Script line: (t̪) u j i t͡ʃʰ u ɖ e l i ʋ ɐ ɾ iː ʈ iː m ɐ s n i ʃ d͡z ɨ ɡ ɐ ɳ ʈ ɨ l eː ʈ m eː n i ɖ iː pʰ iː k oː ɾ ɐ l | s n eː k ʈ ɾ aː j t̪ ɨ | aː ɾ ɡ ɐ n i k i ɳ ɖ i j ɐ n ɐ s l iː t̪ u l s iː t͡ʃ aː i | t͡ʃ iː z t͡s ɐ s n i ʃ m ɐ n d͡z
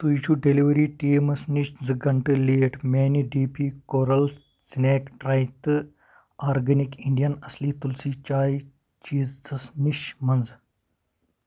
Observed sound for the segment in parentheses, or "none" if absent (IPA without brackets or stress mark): t̪